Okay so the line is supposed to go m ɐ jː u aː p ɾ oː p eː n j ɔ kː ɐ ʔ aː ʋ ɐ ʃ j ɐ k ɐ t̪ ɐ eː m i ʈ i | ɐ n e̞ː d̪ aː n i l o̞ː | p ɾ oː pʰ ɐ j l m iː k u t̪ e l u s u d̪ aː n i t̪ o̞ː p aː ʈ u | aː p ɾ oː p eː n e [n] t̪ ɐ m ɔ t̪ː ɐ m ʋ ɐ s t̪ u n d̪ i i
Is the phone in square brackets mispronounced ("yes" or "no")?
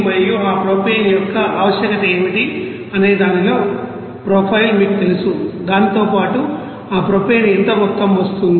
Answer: no